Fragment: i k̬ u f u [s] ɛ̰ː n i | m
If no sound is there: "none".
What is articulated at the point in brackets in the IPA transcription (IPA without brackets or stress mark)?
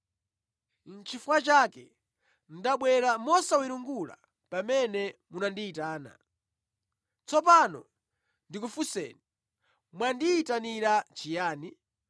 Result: s